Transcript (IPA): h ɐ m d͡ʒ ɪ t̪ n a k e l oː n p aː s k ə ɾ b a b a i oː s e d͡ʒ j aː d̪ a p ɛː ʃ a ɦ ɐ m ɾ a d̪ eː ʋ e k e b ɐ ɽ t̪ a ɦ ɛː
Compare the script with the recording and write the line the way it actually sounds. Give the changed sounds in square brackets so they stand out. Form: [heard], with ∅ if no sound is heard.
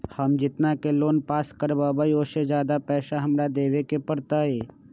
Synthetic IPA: h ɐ m d͡ʒ ɪ t̪ n a k e l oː n p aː s k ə ɾ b a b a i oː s e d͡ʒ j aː d̪ a p ɛː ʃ a ɦ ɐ m ɾ a d̪ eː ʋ e k e [p] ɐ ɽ t̪ a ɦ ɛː